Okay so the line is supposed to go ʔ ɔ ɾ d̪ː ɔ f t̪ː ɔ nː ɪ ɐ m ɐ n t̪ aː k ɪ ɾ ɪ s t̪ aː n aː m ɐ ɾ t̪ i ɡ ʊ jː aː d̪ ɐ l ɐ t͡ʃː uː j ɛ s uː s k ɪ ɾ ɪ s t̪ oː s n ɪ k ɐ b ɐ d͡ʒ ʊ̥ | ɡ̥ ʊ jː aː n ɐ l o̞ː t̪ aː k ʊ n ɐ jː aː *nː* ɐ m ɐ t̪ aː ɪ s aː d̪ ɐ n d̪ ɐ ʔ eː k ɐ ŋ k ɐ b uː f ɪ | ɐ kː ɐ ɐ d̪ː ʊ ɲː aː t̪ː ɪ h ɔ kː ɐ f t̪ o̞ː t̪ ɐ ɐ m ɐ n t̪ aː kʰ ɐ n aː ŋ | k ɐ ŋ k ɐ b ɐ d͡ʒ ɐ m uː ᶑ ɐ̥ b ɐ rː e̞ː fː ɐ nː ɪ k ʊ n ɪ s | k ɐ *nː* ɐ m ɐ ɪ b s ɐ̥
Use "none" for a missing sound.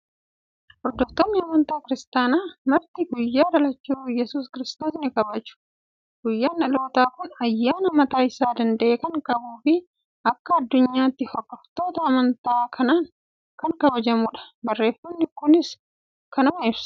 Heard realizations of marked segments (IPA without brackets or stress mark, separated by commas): n, n